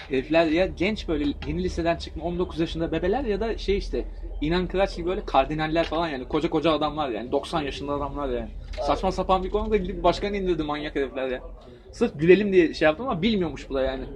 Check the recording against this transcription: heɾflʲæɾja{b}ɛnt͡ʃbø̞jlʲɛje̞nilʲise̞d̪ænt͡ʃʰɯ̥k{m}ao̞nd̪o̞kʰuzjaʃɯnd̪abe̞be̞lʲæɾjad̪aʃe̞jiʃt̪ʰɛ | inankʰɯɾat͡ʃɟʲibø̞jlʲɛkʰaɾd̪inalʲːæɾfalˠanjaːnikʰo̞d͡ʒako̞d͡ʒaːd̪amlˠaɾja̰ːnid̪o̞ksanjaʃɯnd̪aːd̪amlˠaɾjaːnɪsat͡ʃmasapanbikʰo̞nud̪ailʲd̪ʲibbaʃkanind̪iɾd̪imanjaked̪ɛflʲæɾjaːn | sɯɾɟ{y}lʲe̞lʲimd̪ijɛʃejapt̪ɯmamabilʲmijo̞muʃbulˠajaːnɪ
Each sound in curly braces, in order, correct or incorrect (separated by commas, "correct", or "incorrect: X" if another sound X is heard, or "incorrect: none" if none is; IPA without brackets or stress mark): incorrect: ɟ, correct, correct